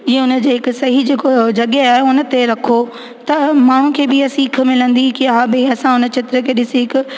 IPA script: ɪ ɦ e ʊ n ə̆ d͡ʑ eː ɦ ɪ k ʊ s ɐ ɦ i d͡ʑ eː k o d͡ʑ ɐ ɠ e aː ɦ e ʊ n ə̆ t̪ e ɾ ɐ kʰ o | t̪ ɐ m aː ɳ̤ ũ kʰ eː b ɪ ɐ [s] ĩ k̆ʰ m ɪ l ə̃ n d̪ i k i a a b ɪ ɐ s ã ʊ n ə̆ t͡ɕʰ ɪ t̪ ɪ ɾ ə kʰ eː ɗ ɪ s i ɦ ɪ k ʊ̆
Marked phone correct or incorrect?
correct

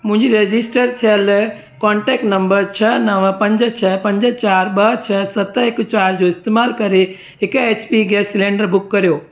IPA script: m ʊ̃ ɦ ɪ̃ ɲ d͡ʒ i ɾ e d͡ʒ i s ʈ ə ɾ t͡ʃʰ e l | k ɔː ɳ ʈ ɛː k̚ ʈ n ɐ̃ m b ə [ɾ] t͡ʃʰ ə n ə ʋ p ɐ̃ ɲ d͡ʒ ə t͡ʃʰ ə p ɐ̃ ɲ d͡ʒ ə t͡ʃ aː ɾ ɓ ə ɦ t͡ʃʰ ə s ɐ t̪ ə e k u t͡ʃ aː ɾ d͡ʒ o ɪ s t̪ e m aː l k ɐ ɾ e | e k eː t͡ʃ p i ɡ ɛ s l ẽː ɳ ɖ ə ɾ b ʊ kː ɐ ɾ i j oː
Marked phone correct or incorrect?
correct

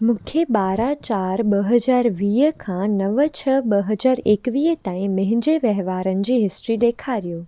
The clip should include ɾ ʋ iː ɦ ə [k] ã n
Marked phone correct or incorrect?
incorrect: kʰ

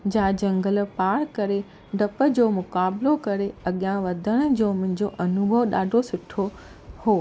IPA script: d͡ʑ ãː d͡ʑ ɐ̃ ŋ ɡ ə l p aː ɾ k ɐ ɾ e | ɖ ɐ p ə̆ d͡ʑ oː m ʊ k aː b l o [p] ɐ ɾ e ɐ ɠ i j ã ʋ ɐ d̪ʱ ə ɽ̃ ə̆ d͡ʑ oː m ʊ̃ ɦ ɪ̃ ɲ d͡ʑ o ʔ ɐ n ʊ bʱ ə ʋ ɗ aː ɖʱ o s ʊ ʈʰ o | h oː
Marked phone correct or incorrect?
incorrect: k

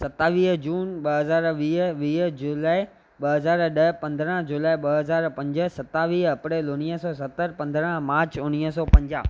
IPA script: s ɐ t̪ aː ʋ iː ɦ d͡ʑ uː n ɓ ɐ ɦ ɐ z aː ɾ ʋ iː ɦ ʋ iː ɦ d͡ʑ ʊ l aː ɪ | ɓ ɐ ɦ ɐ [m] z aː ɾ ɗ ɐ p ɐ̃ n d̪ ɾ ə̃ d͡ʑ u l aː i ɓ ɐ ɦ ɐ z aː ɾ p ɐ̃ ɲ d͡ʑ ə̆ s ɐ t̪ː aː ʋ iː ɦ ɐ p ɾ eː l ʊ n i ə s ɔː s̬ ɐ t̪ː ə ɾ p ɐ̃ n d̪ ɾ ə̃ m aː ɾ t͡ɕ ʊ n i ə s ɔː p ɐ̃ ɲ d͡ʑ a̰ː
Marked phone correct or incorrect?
incorrect: none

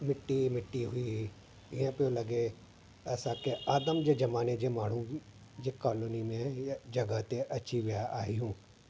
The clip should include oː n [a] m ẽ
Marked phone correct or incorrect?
incorrect: i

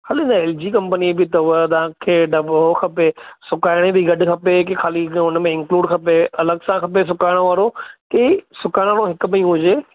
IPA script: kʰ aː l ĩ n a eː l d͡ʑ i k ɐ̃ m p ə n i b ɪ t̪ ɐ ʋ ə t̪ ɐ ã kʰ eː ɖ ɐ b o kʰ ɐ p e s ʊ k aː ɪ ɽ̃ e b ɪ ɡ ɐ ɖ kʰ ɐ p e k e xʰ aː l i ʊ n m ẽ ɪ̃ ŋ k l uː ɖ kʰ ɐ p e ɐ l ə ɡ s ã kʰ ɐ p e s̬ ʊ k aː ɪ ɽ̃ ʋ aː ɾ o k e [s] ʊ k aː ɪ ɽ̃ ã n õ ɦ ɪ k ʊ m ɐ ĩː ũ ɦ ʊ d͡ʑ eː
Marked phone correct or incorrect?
correct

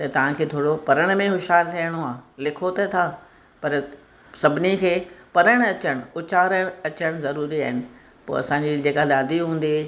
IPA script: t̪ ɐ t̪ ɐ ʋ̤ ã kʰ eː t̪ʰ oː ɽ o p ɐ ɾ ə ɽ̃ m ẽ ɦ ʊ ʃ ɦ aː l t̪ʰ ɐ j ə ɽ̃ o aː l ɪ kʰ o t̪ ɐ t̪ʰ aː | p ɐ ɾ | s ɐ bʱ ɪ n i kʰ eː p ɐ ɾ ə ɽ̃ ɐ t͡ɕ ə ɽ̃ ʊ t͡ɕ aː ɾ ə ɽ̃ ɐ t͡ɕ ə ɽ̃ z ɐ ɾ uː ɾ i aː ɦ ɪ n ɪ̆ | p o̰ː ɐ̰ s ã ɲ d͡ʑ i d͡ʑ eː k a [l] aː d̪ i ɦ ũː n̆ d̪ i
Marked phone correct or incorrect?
correct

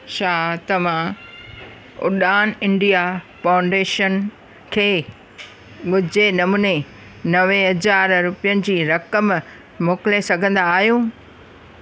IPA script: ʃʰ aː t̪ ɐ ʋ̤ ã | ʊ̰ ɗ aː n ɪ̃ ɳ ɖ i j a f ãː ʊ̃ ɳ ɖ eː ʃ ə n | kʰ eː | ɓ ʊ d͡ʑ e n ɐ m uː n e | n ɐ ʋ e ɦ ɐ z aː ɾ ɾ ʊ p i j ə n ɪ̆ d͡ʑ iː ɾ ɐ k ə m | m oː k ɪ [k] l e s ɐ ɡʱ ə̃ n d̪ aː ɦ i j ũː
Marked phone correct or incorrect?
incorrect: none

